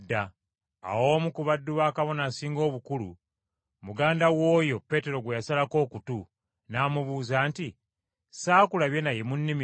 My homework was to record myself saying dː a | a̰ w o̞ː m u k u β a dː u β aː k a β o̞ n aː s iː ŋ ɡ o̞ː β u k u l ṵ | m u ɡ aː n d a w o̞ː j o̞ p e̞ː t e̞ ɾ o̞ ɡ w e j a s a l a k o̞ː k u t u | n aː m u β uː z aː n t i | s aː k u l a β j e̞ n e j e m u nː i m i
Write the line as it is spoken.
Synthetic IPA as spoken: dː a | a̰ w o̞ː m u k u β a dː u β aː k a β o̞ n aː s iː ŋ ɡ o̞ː β u k u l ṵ | m u ɡ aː n d a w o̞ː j o̞ p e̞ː t e̞ ɾ o̞ ɡ w e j a s a l a k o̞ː k u t u | n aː m u β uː z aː n t i | s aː k u l a β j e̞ n a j e m u nː i m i